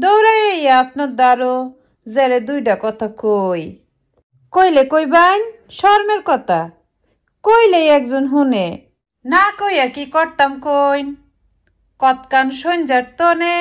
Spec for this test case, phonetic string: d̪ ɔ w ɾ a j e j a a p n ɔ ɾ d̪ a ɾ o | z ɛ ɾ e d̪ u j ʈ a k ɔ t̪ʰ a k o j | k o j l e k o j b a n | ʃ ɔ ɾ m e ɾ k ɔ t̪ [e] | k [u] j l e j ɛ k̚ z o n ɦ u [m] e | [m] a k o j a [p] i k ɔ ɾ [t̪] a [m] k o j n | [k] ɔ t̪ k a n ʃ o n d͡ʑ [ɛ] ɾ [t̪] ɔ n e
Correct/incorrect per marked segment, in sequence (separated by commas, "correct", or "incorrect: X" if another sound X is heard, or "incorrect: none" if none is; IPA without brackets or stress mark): incorrect: a, incorrect: o, incorrect: n, incorrect: n, incorrect: k, correct, correct, correct, incorrect: a, correct